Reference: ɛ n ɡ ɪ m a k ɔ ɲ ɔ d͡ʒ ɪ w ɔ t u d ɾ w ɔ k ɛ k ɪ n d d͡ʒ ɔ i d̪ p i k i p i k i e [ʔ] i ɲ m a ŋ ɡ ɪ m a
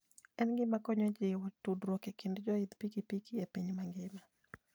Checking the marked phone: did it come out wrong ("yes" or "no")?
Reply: yes